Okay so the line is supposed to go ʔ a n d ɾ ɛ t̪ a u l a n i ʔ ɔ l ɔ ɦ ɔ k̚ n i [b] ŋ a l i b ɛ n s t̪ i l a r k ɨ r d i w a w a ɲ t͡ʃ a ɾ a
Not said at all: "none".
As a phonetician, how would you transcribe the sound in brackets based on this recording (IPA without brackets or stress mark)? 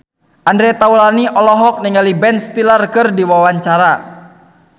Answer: none